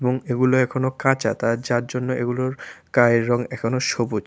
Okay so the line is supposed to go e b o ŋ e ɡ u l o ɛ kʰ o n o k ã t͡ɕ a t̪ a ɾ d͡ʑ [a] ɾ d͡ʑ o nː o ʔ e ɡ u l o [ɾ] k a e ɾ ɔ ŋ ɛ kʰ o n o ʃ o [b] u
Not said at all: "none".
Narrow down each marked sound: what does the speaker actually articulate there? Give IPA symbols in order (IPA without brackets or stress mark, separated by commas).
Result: a, ɾ, b